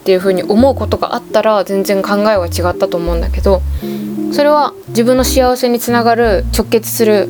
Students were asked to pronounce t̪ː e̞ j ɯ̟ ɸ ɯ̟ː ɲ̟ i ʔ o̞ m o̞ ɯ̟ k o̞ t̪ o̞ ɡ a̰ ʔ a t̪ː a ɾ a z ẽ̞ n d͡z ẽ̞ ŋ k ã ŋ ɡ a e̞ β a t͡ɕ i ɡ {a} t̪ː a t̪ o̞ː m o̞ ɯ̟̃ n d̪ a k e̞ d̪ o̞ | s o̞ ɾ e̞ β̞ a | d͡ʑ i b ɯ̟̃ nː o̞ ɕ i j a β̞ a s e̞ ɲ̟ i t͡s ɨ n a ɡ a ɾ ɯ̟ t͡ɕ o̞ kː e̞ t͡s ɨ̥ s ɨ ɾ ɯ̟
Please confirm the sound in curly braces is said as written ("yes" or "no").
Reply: yes